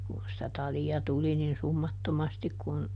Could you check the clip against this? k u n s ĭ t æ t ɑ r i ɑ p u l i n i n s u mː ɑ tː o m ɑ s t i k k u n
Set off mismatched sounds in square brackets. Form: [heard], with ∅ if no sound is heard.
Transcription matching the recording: k u n s ĭ t æ t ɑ [l] i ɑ [t] u l i n i n s u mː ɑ tː o m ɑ s t i k k u n